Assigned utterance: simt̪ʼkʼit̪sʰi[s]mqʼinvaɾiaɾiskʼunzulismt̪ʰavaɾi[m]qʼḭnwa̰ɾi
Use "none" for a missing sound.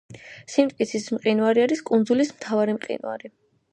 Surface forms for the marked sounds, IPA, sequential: s, m

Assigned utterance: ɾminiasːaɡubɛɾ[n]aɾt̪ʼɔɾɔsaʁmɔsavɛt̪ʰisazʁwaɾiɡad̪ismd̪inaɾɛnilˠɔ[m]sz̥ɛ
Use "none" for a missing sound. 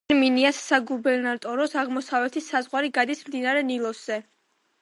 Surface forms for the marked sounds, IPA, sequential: n, none

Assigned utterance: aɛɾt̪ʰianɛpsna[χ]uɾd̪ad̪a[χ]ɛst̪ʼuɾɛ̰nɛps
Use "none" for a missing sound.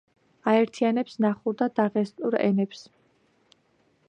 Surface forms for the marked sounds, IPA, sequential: χ, ʁ

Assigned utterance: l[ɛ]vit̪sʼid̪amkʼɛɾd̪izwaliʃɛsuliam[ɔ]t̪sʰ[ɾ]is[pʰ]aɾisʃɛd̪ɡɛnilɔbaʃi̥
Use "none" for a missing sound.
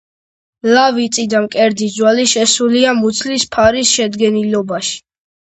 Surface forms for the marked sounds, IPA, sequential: a, u, l, pʰ

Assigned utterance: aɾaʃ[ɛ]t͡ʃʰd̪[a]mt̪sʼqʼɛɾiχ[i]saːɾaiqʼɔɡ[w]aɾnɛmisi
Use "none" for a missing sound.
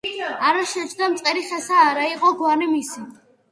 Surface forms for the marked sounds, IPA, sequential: ɛ, a, ɛ, w

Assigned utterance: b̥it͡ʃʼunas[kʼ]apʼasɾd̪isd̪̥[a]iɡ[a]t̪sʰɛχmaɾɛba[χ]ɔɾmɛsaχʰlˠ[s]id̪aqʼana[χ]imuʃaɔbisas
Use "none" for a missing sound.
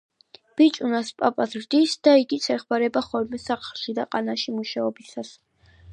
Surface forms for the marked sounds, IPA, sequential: pʼ, a, i, χ, ʃ, ʃ

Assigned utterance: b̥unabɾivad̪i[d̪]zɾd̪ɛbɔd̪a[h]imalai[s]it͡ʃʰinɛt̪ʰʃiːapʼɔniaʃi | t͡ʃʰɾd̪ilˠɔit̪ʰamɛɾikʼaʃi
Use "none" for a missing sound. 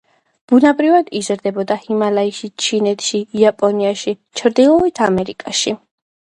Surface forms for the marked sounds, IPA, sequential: none, h, ʃ

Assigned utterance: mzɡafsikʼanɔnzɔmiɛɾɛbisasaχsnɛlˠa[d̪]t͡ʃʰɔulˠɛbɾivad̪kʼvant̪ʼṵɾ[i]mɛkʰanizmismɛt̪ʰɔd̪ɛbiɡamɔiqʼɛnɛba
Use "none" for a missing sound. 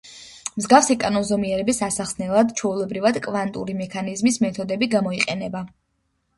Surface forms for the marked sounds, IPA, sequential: d̪, i

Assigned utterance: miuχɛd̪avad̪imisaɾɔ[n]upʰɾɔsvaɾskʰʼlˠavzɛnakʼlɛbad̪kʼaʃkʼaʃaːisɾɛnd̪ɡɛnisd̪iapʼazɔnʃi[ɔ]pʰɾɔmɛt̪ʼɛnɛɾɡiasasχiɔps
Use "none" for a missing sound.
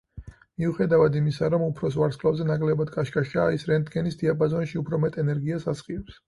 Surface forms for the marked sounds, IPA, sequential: m, u

